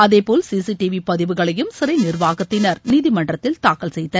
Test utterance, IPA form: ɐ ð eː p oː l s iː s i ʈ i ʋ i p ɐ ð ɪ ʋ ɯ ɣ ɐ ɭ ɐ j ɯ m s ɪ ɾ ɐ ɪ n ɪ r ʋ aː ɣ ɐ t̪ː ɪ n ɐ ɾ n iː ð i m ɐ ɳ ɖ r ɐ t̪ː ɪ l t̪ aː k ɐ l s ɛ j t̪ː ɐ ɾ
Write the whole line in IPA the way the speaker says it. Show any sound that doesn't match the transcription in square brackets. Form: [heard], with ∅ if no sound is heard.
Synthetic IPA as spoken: ɐ ð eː p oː l s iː s i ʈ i ʋ i p ɐ ð ɪ ʋ ɯ ɣ ɐ ɭ ɐ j ɯ m s ɪ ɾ ɐ ɪ n ɪ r ʋ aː ɣ ɐ t̪ː ɪ n ɐ ɾ n iː ð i m ɐ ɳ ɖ r ɐ t̪ː ɪ l t̪ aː k ɐ l s ɛ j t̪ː ɐ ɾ